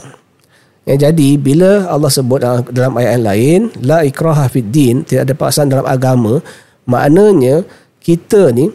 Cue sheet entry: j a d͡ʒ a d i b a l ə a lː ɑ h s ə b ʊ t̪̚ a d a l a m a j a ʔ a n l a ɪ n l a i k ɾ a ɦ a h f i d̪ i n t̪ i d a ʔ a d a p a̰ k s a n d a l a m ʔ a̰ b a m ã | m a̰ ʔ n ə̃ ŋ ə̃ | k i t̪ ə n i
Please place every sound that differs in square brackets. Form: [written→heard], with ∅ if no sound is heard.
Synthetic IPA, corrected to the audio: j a d͡ʒ a d i b [a→i] l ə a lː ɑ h s ə b ʊ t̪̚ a d a l a m a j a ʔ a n l a ɪ n l a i k ɾ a ɦ a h f i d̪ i n t̪ i d a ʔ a d a p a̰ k s a n d a l a m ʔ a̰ [b→ɡ] a m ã | m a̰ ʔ n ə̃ [ŋ→ɲ] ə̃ | k i t̪ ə n i